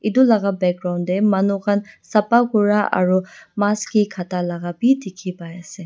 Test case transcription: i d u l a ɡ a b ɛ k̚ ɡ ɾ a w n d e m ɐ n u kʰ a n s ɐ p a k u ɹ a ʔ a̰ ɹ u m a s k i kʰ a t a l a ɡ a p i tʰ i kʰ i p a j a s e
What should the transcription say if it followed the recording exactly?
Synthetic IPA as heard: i d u l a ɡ a b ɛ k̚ ɡ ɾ a w n d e m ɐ n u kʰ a n s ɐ p a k u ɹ a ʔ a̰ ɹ u m a s k i kʰ a t a l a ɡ a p i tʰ i kʰ i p a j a s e